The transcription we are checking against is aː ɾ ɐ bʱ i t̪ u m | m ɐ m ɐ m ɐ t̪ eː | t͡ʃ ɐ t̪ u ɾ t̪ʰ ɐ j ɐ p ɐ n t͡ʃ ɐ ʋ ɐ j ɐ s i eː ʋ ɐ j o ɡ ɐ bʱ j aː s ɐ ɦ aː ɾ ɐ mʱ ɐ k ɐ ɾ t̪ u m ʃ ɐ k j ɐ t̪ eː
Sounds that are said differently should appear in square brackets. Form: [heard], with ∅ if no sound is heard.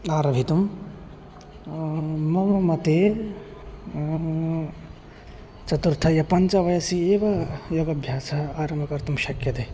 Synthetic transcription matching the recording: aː ɾ ɐ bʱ i t̪ u m | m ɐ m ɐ m ɐ t̪ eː | t͡ʃ ɐ t̪ u ɾ t̪ʰ ɐ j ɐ p ɐ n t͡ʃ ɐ ʋ ɐ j ɐ s i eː ʋ ɐ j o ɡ ɐ bʱ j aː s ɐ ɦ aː ɾ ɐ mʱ ɐ k ɐ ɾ t̪ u m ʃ ɐ k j ɐ t̪ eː

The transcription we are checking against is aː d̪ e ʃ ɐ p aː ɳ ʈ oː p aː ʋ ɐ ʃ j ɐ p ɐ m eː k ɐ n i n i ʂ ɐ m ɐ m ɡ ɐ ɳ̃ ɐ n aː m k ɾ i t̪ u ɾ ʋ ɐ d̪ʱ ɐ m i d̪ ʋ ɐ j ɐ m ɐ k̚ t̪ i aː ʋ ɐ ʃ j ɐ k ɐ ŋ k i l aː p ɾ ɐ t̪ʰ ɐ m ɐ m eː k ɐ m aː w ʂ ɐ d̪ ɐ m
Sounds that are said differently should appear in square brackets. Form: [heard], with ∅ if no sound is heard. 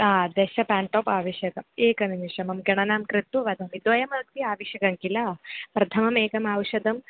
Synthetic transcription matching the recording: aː d̪ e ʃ ɐ p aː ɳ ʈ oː p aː ʋ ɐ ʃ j ɐ [k] ɐ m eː k ɐ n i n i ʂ ɐ m ɐ m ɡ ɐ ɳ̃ ɐ n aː m k ɾ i t̪ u [∅] ʋ ɐ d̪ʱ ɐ m i d̪ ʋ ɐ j ɐ m ɐ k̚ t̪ i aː ʋ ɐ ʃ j ɐ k ɐ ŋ k i l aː p ɾ ɐ t̪ʰ ɐ m ɐ m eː k ɐ m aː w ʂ ɐ d̪ ɐ m

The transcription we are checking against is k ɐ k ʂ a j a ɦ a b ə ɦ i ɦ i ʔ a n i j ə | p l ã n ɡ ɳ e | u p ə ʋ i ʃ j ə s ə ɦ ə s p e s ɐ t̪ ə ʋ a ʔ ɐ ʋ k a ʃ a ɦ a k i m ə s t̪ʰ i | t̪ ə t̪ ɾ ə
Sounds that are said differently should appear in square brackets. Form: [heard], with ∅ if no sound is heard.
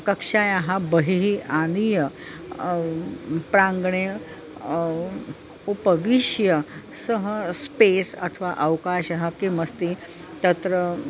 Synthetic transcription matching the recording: k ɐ k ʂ a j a ɦ a b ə ɦ i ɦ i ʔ a n i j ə | p [ɾ] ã [ŋ] ɡ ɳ e | u p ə ʋ i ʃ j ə s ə ɦ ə s p e s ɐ [t̪ʰ] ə ʋ a ʔ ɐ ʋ k a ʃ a ɦ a k i m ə s [t̪] i | t̪ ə t̪ ɾ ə

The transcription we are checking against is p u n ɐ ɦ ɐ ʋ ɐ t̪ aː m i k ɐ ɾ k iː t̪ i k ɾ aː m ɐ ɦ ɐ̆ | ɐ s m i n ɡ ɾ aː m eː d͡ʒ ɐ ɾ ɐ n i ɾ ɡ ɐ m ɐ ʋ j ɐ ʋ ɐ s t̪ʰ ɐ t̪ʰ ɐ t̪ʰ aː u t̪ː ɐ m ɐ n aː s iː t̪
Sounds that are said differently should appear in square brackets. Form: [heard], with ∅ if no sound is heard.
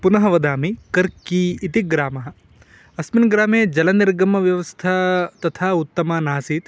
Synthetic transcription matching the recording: p u n ɐ ɦ ɐ ʋ ɐ [d̪] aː m i k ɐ ɾ k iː t̪ i [ɡ] ɾ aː m ɐ ɦ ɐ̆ | ɐ s m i n ɡ ɾ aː m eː d͡ʒ ɐ [l] ɐ n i ɾ ɡ ɐ m ɐ ʋ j ɐ ʋ ɐ s t̪ʰ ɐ [t̪] ɐ t̪ʰ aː u t̪ː ɐ m ɐ n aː s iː t̪

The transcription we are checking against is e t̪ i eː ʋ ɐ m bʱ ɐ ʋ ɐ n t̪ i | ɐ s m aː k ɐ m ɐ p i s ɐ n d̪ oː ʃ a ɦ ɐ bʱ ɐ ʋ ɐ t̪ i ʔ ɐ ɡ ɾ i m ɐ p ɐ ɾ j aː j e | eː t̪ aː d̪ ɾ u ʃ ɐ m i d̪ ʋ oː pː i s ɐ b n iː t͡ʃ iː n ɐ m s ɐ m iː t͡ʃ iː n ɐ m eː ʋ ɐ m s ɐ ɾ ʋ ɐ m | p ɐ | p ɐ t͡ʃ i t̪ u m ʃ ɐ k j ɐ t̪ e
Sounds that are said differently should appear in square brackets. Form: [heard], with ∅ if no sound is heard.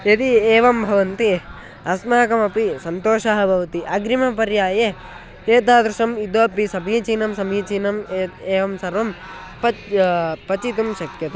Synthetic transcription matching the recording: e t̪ i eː ʋ ɐ m bʱ ɐ ʋ ɐ n t̪ i | ɐ s m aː k ɐ m ɐ p i s ɐ n [t̪] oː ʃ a ɦ ɐ bʱ ɐ ʋ ɐ t̪ i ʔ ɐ ɡ ɾ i m ɐ p ɐ ɾ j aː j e | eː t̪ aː d̪ ɾ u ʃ ɐ m i d̪ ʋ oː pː i s ɐ b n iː t͡ʃ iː n ɐ m s ɐ m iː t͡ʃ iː n ɐ m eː ʋ ɐ m s ɐ ɾ ʋ ɐ m | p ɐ | p ɐ t͡ʃ i t̪ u m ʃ ɐ k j ɐ t̪ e

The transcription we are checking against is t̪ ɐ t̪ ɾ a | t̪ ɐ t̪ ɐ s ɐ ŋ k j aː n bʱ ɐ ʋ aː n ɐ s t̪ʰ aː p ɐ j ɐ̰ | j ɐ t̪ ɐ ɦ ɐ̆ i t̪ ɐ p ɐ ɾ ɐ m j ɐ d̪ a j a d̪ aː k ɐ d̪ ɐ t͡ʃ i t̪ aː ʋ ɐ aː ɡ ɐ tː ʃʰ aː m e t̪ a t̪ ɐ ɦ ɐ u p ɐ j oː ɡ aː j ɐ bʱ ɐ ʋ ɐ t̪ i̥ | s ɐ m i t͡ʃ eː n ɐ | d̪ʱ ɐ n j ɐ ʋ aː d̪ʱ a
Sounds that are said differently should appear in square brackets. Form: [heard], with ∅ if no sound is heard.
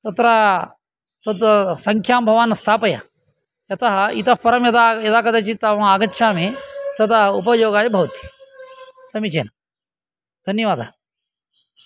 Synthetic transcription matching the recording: t̪ ɐ t̪ ɾ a | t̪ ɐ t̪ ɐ s ɐ ŋ [kʰ] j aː [m] bʱ ɐ ʋ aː n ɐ s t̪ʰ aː p ɐ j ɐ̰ | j ɐ t̪ ɐ ɦ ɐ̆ i t̪ ɐ p ɐ ɾ ɐ m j ɐ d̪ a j [ɐ] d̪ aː k ɐ d̪ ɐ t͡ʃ i t̪ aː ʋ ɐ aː ɡ ɐ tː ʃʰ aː m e t̪ [ɐ] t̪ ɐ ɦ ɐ u p ɐ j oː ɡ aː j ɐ bʱ ɐ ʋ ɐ t̪ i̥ | s ɐ m i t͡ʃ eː n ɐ | d̪ʱ ɐ n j ɐ ʋ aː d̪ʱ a

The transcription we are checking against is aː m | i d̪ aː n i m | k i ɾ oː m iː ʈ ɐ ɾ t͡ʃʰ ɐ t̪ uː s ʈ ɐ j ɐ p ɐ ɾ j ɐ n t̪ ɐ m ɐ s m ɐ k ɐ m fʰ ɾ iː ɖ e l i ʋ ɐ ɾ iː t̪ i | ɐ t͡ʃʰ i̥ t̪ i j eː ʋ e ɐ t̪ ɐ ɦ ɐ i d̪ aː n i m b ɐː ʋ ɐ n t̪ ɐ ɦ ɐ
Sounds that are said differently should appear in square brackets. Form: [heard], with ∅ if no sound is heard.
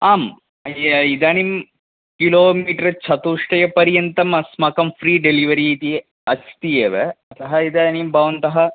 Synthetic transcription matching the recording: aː m | i d̪ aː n i m | k i [l] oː m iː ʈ ɐ ɾ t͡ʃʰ ɐ t̪ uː [ʂ] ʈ ɐ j ɐ p ɐ ɾ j ɐ n t̪ ɐ m ɐ s m ɐ k ɐ m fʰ ɾ iː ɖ e l i ʋ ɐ ɾ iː t̪ i | ɐ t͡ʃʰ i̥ t̪ i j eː ʋ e ɐ t̪ ɐ ɦ ɐ i d̪ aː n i m b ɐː ʋ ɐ n t̪ ɐ ɦ ɐ

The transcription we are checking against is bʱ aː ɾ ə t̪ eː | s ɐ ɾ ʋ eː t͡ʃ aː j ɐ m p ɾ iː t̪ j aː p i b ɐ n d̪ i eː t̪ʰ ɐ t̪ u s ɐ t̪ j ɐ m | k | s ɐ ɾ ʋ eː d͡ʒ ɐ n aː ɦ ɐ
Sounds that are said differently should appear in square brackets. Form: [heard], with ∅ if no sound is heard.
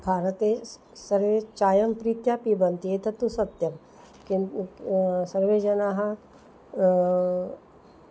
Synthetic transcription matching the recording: bʱ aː ɾ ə t̪ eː | s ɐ ɾ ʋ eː t͡ʃ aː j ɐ m p ɾ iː t̪ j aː p i b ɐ n [t̪] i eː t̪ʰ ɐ t̪ u s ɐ t̪ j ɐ m | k | s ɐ ɾ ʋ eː d͡ʒ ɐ n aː ɦ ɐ

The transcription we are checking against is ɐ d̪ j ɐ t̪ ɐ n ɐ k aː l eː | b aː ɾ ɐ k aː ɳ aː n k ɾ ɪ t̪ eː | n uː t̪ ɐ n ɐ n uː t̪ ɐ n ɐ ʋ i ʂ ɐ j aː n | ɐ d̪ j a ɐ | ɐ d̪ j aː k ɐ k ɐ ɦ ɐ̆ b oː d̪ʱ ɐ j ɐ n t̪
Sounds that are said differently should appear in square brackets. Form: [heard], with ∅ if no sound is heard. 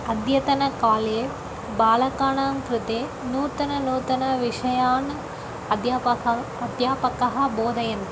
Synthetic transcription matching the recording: ɐ d̪ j ɐ t̪ ɐ n ɐ k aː l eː | b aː [l] ɐ k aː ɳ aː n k ɾ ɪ t̪ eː | n uː t̪ ɐ n ɐ n uː t̪ ɐ n ɐ ʋ i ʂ ɐ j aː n | ɐ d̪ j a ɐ | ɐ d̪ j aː [p] ɐ k ɐ ɦ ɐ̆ b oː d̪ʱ ɐ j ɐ n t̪

